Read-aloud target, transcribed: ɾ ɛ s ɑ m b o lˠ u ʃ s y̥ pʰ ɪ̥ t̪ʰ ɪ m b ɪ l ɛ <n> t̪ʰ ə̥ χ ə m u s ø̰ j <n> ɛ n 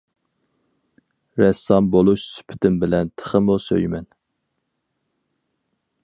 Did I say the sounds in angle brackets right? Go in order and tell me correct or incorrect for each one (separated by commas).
correct, incorrect